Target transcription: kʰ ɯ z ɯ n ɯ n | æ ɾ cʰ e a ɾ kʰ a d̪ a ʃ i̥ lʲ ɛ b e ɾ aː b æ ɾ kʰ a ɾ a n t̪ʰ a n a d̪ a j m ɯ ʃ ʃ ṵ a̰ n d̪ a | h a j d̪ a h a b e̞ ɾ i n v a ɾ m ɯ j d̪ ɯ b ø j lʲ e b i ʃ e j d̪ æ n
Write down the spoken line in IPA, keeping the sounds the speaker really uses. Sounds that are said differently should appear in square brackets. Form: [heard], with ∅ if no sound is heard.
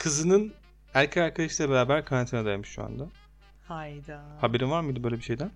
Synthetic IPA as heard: kʰ ɯ z ɯ n ɯ n | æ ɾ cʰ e a ɾ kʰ a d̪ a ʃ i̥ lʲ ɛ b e ɾ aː b æ ɾ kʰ a ɾ a n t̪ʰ [i] n a d̪ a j m ɯ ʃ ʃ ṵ a̰ n d̪ a | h a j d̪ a h a b e̞ ɾ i n v a ɾ m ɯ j d̪ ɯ b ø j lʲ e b i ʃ e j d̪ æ n